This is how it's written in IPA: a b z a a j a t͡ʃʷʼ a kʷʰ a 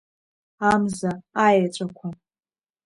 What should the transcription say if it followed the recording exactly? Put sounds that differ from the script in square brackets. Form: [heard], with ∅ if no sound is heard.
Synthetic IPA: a [m] z a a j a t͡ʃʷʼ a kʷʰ a